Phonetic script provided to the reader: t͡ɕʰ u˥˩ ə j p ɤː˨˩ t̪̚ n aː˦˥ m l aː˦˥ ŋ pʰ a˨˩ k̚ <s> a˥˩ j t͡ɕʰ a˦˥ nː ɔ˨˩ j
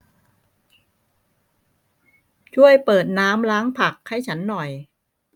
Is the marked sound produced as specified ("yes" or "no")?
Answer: no